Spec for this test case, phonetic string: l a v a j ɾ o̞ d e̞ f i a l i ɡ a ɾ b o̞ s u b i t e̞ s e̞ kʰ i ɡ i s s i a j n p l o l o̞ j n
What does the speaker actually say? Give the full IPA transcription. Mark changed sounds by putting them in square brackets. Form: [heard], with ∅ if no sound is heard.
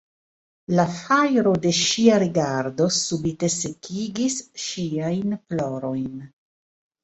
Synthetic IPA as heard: l a [f] a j ɾ o̞ d e̞ [ʃ] i a [ɾ] i ɡ a ɾ [d] o̞ s u b i t e̞ s e̞ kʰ i ɡ i s [ʃ] i a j n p l o [ɾ] o̞ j n